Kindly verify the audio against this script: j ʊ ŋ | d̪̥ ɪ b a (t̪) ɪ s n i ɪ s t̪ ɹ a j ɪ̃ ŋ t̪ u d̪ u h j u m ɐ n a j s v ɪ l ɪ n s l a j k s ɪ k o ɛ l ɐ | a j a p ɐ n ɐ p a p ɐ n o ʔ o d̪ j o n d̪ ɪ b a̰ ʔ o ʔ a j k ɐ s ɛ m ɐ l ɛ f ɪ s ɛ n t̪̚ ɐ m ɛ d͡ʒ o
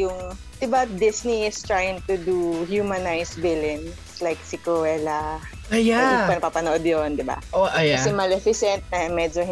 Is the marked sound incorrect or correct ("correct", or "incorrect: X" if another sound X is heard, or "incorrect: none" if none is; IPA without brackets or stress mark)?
incorrect: d̪